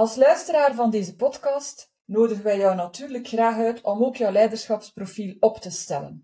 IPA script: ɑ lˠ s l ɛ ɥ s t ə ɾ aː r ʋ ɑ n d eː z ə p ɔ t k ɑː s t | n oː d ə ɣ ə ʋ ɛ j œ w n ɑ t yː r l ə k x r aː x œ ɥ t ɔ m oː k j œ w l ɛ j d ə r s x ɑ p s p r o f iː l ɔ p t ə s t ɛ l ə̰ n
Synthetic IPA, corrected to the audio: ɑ lˠ s l œ ɥ s t ə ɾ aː r v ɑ n d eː z ə p ɔ t k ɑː s t | n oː d ə ɣ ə ʋ ɛ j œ w n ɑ t yː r l ə k x r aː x œ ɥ t ɔ m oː k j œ w l ɛ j d ə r s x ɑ p s p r o f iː l ɔ p t ə s t ɛ l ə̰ n